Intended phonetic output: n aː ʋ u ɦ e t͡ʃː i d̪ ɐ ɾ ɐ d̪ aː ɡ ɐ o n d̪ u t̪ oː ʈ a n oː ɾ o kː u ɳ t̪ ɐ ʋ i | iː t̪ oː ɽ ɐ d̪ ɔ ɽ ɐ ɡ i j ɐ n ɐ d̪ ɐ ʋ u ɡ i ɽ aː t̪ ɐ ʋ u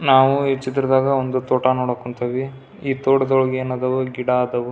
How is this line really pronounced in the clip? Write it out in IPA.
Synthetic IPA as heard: n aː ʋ u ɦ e t͡ʃː i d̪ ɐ ɾ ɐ d̪ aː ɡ ɐ o n d̪ u t̪ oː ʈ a n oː ɽ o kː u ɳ t̪ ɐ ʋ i | iː t̪ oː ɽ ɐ d̪ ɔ ɭ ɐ ɡ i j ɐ n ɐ d̪ ɐ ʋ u ɡ i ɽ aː d̪ ɐ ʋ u